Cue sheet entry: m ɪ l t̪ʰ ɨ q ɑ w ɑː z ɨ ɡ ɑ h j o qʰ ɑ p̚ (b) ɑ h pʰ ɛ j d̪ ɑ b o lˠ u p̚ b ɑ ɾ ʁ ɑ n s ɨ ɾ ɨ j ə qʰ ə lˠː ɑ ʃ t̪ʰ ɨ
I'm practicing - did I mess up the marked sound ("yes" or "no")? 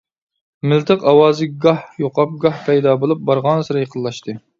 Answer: yes